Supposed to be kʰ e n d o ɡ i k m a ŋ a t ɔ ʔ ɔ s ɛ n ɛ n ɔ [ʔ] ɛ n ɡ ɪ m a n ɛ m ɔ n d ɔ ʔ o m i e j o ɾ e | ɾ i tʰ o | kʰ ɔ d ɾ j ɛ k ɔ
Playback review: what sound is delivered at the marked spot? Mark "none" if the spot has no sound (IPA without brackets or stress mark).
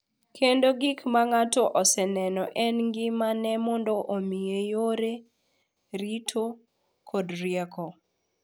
ʔ